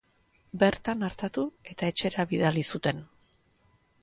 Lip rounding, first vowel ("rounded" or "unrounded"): unrounded